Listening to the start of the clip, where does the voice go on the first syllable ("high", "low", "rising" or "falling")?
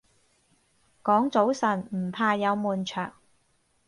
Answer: rising